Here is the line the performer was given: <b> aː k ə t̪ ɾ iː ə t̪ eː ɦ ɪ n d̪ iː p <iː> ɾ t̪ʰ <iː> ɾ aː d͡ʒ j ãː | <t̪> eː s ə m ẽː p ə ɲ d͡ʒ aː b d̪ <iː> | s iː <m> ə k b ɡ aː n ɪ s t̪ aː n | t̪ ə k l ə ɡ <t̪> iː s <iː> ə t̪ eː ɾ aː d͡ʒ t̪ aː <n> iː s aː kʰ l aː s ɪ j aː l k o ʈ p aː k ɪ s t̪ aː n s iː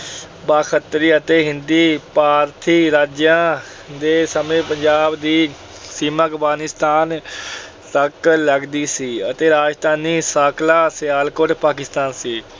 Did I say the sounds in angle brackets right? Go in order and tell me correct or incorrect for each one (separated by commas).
correct, incorrect, correct, incorrect, correct, correct, incorrect, correct, correct